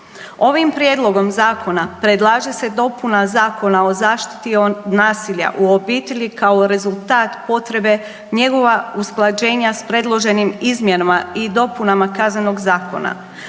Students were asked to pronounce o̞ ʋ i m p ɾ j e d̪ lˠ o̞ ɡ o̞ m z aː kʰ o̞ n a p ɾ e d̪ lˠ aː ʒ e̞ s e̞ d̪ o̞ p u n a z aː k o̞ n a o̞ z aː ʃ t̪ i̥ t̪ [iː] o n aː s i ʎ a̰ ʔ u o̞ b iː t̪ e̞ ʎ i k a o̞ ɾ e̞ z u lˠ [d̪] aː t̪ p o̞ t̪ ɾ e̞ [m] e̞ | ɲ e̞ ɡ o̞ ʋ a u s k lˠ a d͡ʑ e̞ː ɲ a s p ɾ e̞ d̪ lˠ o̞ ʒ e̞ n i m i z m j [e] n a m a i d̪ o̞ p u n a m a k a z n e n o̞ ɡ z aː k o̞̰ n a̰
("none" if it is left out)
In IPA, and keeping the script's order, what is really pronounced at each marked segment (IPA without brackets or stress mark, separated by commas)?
i, t̪, b, e